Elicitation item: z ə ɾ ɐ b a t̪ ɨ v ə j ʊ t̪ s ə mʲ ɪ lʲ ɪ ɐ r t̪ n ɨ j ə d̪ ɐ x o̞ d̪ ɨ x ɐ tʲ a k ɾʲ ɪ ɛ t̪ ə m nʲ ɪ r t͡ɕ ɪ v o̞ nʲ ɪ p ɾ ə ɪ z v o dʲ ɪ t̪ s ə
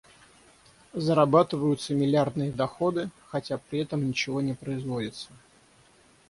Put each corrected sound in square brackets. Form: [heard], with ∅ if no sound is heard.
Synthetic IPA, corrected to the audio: z ə ɾ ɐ b a t̪ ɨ v ə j ʊ t̪ s ə mʲ ɪ lʲ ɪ [a] r [d̪] n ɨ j ə d̪ ɐ x o̞ d̪ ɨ x ɐ tʲ a [p] ɾʲ ɪ ɛ t̪ ə m nʲ ɪ [∅] t͡ɕ ɪ v o̞ nʲ ɪ p ɾ ə ɪ z v o dʲ ɪ t̪ s ə